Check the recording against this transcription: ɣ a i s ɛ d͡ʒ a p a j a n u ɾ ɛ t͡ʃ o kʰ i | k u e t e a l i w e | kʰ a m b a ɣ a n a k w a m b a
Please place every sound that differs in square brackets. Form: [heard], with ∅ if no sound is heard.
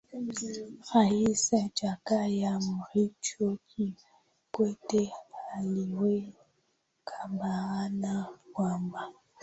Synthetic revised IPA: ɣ a i s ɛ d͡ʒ a [k] a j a [m] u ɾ [i] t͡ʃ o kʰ i | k [w] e t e a l i w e | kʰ a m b a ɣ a n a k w a m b a